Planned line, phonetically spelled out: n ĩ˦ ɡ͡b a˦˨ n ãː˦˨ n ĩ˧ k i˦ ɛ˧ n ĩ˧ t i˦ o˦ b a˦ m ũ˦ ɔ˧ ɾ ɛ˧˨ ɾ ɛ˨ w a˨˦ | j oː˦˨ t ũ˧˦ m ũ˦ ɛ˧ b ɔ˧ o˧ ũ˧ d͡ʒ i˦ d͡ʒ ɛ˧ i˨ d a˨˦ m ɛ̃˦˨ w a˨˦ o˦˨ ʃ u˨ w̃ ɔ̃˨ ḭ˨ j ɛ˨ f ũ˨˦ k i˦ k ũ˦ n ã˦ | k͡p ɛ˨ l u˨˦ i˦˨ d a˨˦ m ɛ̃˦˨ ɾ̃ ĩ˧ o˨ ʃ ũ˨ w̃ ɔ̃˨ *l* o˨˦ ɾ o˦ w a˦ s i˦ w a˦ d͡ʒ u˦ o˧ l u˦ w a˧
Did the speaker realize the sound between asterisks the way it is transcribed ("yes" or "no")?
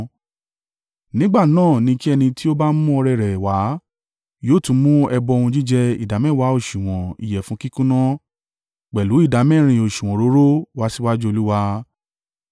no